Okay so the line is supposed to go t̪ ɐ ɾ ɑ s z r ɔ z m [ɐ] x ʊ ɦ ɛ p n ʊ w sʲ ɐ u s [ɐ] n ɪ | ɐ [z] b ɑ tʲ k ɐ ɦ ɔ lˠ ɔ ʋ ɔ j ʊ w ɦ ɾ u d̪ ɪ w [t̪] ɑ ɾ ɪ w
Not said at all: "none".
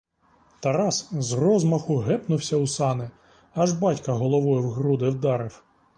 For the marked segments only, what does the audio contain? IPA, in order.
ɐ, ɑ, ʒ, d̪

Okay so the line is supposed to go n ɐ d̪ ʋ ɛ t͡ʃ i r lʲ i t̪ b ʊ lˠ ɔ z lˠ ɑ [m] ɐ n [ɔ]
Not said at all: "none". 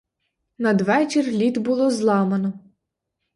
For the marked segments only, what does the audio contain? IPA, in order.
m, ɔ

